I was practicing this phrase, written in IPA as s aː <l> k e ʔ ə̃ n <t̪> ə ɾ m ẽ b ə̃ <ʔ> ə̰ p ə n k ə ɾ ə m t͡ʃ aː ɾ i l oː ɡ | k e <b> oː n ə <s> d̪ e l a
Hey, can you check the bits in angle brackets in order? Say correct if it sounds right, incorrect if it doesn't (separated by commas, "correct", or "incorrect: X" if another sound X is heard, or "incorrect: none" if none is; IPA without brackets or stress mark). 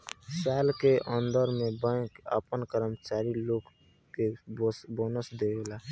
correct, incorrect: d̪, incorrect: k, correct, correct